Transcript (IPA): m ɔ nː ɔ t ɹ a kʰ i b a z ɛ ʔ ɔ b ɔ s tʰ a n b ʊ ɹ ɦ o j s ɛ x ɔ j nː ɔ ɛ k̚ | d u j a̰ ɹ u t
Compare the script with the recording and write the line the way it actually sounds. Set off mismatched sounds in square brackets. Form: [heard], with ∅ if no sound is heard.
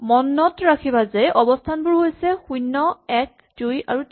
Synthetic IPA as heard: m ɔ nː ɔ t ɹ a kʰ i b a z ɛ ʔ ɔ b ɔ s tʰ a n b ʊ ɹ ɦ o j s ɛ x [u] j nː ɔ ɛ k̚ | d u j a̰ ɹ u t